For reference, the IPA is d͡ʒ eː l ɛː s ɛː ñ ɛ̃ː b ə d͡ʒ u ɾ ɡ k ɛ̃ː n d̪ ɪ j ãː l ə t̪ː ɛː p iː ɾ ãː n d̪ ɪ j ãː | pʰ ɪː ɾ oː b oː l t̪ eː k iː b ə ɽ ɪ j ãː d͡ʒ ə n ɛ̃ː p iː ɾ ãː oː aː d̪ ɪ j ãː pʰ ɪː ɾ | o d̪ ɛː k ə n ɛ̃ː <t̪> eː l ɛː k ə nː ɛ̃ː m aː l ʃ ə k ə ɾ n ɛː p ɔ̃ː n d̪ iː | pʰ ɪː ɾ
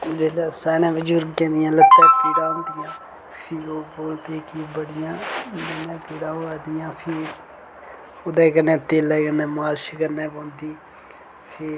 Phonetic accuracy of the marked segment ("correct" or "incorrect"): correct